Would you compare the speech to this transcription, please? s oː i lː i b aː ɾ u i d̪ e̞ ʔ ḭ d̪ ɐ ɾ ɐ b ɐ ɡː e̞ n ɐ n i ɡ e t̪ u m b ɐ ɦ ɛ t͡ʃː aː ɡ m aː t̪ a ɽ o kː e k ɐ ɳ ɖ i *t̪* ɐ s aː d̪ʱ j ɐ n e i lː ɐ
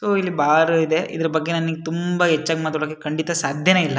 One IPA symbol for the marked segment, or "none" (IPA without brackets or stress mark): t̪